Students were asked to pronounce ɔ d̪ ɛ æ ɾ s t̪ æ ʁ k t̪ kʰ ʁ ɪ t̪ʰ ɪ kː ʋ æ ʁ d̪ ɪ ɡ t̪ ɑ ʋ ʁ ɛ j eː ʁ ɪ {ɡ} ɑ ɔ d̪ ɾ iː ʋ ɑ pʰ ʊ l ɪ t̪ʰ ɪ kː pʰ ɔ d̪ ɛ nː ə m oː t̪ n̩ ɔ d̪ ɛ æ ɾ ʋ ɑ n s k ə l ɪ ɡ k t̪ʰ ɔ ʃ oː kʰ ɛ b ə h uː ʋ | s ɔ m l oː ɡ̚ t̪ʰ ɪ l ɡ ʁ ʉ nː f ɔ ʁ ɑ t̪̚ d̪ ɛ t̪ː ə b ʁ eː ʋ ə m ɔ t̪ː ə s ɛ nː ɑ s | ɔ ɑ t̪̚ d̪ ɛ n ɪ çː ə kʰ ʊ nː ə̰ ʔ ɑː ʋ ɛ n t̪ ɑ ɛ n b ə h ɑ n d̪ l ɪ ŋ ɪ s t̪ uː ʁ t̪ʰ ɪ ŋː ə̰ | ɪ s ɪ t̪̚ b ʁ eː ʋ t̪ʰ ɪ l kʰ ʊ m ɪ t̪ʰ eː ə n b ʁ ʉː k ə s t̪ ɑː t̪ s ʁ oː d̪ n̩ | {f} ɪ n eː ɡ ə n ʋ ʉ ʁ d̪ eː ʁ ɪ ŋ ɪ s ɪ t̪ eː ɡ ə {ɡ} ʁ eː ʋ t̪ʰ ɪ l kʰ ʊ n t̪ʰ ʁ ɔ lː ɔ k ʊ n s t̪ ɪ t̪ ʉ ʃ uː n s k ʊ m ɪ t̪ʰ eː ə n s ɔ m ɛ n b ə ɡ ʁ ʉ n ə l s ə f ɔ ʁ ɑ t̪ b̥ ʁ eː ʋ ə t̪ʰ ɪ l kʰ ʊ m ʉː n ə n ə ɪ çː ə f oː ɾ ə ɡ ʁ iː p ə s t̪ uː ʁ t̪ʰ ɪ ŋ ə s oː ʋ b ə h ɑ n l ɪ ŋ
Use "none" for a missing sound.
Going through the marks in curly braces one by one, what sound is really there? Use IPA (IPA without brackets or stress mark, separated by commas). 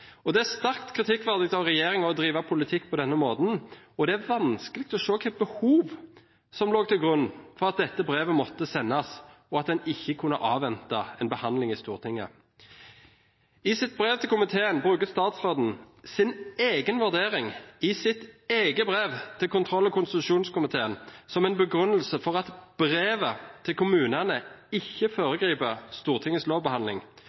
ŋ, s, b